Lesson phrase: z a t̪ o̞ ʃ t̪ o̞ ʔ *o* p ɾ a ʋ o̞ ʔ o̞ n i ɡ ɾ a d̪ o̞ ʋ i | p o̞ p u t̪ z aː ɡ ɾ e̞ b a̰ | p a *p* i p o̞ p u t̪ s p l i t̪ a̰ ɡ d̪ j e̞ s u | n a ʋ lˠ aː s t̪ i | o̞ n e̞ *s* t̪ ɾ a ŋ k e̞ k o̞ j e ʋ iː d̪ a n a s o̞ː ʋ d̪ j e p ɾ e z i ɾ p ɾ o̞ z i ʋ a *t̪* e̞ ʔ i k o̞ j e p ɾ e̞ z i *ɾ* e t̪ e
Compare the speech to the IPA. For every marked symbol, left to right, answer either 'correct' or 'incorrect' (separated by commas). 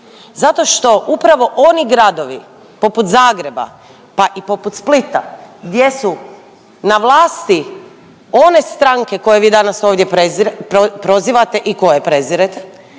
incorrect, incorrect, correct, correct, correct